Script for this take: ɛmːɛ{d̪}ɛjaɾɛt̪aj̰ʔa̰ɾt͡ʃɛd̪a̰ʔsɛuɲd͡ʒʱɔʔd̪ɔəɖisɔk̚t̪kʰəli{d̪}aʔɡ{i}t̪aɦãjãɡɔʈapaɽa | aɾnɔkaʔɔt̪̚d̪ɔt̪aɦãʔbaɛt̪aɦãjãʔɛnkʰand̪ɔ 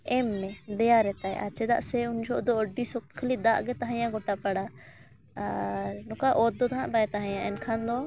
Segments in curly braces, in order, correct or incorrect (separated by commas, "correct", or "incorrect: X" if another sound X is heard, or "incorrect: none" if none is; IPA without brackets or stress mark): correct, correct, incorrect: ɛ